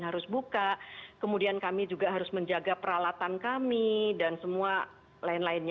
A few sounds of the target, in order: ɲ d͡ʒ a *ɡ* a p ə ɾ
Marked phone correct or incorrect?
correct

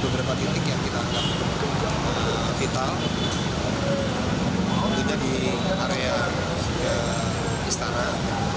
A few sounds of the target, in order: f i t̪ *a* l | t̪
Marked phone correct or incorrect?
correct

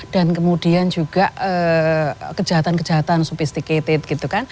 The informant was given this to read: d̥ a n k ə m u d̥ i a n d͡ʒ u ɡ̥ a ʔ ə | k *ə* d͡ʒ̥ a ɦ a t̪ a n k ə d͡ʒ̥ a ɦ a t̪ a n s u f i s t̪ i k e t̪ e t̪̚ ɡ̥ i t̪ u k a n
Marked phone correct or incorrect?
correct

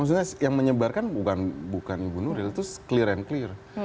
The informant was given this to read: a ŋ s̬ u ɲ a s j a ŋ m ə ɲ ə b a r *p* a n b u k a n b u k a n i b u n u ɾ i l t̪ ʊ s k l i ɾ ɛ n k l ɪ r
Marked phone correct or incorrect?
incorrect: k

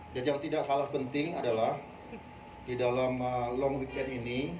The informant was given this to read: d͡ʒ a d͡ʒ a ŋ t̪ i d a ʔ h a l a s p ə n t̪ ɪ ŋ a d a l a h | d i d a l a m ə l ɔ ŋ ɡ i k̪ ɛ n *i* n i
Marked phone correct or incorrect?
correct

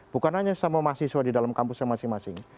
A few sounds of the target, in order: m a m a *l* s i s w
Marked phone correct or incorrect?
incorrect: none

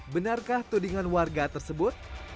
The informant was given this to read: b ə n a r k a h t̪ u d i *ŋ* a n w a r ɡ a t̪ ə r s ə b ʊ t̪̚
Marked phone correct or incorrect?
correct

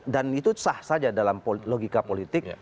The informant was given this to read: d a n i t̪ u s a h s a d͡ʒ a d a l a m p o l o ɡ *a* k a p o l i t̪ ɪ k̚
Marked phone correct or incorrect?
incorrect: i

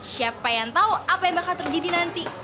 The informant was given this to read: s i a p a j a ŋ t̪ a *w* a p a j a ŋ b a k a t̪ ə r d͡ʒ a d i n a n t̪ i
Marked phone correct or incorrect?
incorrect: u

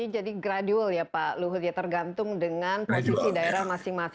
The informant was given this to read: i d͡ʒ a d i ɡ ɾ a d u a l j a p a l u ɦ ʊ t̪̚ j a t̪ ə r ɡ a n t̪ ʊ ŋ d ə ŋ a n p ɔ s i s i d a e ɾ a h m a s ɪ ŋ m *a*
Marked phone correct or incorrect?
correct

